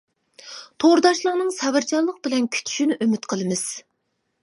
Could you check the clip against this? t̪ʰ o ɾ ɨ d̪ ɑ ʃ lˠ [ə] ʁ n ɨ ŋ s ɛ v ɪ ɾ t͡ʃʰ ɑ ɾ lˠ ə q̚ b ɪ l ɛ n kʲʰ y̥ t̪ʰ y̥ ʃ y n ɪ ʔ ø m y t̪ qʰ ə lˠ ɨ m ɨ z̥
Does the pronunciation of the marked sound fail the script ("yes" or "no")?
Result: no